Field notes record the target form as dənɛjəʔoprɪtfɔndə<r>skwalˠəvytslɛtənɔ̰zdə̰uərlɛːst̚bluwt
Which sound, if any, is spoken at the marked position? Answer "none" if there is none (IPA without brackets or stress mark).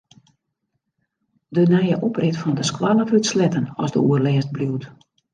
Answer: none